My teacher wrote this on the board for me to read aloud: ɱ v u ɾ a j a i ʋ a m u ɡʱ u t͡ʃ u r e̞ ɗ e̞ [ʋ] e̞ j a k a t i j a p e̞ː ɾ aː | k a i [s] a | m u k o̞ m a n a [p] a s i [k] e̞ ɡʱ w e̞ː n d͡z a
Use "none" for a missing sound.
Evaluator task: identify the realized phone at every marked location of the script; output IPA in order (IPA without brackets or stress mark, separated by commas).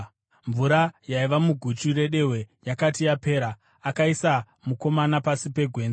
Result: w, s, p, p